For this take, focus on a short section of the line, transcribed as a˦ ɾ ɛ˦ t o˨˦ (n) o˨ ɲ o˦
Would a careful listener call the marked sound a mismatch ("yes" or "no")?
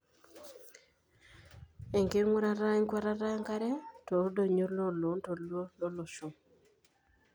yes